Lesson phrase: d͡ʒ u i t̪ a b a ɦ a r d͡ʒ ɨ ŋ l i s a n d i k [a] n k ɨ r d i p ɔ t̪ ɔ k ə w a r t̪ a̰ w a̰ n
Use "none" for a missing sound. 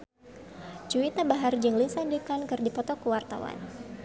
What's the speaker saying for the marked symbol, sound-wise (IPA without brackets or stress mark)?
a